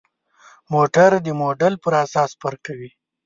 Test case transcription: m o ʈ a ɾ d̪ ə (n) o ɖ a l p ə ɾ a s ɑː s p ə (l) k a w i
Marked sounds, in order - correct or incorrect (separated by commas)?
incorrect, incorrect